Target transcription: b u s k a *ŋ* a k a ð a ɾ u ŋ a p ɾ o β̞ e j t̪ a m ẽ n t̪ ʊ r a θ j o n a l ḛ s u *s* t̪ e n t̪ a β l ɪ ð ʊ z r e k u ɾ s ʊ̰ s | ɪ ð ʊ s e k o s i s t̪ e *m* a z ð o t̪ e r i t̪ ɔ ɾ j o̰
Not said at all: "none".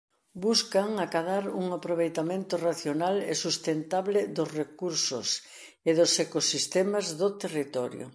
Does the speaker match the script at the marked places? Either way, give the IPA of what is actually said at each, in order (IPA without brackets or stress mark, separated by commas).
ŋ, s, m